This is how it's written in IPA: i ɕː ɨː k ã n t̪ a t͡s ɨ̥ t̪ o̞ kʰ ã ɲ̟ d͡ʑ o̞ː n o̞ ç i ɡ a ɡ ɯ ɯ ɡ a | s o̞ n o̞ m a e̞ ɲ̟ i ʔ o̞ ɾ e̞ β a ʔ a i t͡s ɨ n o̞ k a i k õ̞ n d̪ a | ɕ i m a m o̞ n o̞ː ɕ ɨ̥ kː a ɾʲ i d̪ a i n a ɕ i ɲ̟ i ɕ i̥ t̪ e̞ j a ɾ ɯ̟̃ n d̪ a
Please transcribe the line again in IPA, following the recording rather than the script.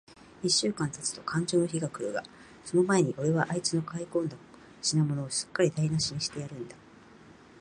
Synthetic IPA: i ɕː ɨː k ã n t̪ a t͡s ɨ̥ t̪ o̞ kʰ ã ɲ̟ d͡ʑ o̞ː n o̞ ç i ɡ a k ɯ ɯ ɡ a | s o̞ n o̞ m a e̞ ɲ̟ i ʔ o̞ ɾ e̞ β a ʔ a i t͡s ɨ n o̞ k a i k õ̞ n d̪ a | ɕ i n a m o̞ n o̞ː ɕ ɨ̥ kː a ɾʲ i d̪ a i n a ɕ i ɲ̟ i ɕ i̥ t̪ e̞ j a ɾ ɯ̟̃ n d̪ a